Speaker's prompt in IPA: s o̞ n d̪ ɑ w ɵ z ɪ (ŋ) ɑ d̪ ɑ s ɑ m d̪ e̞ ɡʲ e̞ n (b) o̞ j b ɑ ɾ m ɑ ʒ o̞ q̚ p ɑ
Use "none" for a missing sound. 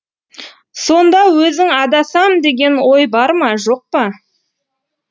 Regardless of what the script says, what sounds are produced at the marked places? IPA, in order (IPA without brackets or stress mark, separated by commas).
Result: ŋ, w